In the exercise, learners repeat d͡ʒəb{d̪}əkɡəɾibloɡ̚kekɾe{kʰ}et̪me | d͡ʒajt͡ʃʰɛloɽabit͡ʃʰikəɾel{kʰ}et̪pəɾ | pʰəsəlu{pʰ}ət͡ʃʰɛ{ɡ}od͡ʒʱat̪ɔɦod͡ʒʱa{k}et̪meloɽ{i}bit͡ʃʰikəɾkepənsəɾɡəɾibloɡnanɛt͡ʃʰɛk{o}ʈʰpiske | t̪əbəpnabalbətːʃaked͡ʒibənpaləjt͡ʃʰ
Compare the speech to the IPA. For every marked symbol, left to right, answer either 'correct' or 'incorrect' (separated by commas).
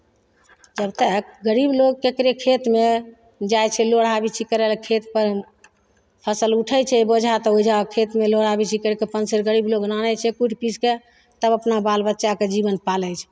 incorrect, correct, correct, incorrect, incorrect, incorrect, incorrect, incorrect